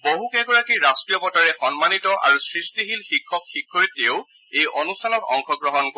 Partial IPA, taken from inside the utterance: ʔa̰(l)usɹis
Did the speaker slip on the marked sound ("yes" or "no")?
yes